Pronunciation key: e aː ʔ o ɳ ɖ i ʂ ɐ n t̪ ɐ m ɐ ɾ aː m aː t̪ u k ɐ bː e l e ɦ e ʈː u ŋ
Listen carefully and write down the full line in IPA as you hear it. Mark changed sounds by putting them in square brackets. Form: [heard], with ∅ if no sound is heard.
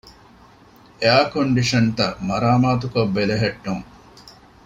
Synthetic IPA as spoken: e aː [k] o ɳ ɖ i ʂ ɐ n t̪ ɐ m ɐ ɾ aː m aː t̪ u k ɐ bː e l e ɦ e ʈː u ŋ